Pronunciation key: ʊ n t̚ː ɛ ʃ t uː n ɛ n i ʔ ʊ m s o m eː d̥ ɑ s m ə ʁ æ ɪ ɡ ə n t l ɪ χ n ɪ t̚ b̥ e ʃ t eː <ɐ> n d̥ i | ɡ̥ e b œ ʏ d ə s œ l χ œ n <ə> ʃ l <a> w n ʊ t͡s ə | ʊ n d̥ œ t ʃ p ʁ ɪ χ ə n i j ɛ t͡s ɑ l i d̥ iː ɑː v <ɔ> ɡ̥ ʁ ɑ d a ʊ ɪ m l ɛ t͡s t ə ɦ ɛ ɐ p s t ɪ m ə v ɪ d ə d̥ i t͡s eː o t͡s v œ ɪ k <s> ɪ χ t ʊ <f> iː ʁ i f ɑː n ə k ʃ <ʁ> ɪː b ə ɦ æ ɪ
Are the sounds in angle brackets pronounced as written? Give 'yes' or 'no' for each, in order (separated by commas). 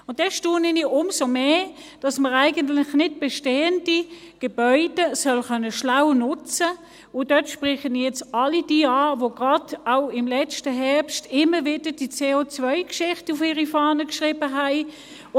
no, yes, yes, no, no, yes, yes